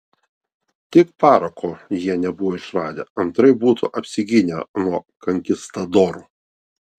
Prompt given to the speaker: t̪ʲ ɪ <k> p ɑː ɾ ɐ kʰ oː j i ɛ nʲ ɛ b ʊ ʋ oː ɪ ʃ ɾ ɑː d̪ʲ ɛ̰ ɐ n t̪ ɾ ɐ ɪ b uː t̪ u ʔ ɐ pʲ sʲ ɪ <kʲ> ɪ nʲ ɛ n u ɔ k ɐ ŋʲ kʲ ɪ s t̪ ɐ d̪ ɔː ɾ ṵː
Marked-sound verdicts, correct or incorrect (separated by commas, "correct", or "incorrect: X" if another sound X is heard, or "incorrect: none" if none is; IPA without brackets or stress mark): correct, incorrect: ɡʲ